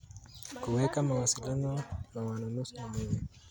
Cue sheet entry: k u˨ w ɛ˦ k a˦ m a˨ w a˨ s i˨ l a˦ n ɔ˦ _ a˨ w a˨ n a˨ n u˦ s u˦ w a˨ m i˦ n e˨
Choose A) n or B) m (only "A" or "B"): A